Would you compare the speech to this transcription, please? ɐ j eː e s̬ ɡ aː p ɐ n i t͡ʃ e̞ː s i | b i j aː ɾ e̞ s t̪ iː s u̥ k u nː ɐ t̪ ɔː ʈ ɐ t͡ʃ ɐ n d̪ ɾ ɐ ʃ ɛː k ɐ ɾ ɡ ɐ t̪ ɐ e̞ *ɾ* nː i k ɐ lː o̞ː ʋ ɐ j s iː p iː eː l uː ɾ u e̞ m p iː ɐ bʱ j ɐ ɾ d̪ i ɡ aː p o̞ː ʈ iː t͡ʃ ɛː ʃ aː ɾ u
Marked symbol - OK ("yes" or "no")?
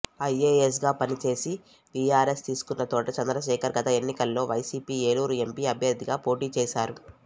no